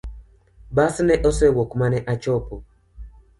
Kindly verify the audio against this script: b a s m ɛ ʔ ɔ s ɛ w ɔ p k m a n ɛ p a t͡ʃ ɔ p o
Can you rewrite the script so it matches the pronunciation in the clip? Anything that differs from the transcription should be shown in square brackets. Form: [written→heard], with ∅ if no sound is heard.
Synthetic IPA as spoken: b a s [m→n] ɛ ʔ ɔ s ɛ w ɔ [p→∅] k m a n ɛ [p→ʔ] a t͡ʃ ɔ p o

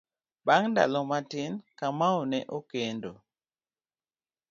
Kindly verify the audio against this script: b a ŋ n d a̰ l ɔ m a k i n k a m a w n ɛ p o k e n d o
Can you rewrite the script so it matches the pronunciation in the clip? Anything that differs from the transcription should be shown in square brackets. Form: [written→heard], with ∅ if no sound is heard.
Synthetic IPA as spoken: b a ŋ n d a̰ l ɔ m a [k→t] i n k a m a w n ɛ [p→ʔ] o k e n d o

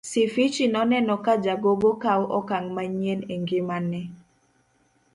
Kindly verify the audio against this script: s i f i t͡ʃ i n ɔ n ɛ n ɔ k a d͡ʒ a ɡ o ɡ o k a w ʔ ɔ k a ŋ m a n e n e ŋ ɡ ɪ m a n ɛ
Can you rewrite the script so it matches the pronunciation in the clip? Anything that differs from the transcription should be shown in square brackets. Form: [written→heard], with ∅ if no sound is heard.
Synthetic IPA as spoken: s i f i t͡ʃ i n ɔ n ɛ n ɔ k a d͡ʒ a ɡ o ɡ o k a w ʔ ɔ k a ŋ m a [n→ɲ] e n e ŋ ɡ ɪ m a n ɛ

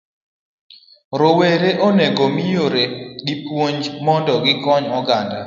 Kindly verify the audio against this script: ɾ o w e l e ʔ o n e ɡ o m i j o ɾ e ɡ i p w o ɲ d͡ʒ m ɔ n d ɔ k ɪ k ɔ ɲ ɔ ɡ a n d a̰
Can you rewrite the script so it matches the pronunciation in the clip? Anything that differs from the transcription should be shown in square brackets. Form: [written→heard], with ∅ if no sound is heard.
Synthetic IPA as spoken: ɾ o w e [l→ɾ] e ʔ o n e ɡ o m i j o ɾ e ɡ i p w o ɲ d͡ʒ m ɔ n d ɔ [k→ɡ] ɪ k ɔ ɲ ɔ ɡ a n d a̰

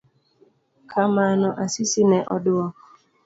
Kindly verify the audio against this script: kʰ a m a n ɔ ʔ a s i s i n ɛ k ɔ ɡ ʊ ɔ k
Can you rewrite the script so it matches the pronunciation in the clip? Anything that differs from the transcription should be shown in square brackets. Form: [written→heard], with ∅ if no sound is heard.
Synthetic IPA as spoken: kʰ a m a n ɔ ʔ a s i s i n ɛ [k→ʔ] ɔ [ɡ→d] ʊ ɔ k

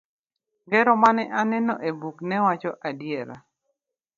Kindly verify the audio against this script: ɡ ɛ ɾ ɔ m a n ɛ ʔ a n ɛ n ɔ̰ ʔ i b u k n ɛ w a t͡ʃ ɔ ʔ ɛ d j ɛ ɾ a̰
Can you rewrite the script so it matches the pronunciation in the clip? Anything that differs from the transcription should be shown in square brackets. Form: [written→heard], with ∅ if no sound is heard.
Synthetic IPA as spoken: ɡ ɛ ɾ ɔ m a n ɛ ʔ a n ɛ n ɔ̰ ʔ [i→e] b u k n ɛ w a t͡ʃ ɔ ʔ [ɛ→a] d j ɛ ɾ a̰

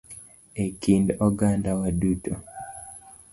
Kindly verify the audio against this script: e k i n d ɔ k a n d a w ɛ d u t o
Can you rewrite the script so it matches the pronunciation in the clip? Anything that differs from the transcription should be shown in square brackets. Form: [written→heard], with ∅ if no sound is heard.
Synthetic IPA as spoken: e k i n d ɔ [k→ɡ] a n d a w [ɛ→a] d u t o

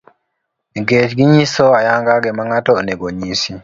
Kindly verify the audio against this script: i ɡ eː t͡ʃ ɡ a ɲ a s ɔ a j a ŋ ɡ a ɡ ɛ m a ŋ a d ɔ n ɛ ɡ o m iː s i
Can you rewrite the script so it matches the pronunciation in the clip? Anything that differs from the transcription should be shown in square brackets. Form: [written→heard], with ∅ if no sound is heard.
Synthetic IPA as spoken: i ɡ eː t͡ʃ ɡ [a→i] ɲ [a→i] s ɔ a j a ŋ ɡ a ɡ ɛ m a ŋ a [d→t] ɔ n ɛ ɡ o [m→ɲ] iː s i

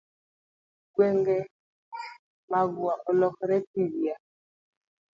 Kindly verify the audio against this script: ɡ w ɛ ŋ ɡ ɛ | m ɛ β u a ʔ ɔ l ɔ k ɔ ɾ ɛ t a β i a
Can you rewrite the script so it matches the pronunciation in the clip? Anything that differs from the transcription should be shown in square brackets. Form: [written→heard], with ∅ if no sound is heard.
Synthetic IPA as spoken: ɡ w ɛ ŋ ɡ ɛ | m [ɛ→a] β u a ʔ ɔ l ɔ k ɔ ɾ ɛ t [a→i] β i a

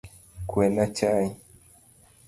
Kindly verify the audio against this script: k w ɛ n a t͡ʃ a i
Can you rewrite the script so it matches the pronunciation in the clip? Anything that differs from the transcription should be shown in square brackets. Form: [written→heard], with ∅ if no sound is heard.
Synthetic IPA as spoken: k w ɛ n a t͡ʃ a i

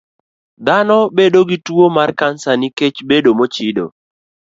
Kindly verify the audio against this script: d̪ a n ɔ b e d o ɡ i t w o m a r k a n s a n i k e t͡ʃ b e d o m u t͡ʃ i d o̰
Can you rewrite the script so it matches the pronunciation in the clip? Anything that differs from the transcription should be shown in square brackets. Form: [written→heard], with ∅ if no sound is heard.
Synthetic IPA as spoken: d̪ a n ɔ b e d o ɡ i t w o m a r k a n s a n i k e t͡ʃ b e d o m [u→o] t͡ʃ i d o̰

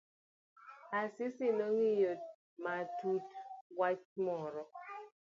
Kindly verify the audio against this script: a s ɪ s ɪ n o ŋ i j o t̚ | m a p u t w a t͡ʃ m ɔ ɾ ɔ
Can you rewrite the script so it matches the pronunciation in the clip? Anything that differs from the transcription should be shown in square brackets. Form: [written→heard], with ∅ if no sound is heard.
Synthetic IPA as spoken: a s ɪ s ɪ n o ŋ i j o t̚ | m a [p→t] u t w a t͡ʃ m ɔ ɾ ɔ

